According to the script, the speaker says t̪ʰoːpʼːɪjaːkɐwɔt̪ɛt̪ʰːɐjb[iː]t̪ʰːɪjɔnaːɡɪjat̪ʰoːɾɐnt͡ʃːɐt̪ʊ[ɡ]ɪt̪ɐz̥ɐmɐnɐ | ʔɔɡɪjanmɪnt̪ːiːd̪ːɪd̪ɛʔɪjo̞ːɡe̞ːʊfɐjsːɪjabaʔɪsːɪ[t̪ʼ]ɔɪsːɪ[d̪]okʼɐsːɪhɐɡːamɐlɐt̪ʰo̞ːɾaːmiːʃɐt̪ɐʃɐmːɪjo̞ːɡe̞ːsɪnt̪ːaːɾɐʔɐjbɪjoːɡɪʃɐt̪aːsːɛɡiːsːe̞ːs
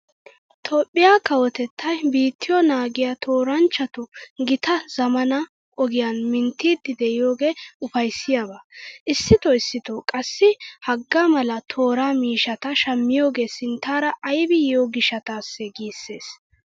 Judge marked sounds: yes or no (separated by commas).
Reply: yes, yes, no, no